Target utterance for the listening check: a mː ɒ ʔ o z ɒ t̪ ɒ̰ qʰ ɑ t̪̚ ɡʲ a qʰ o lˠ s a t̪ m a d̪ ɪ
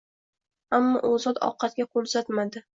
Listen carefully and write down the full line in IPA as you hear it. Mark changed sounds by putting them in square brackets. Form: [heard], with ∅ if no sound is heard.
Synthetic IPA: a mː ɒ ʔ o z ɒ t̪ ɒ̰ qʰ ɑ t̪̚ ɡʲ a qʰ o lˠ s a t̪ m a d̪ ɪ